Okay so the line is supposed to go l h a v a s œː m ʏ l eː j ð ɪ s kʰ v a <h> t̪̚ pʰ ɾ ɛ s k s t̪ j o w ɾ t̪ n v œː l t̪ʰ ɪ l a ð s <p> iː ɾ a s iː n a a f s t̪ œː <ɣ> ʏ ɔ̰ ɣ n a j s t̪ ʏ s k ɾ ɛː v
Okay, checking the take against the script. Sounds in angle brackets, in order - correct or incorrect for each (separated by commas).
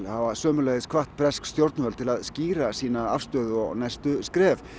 correct, incorrect, incorrect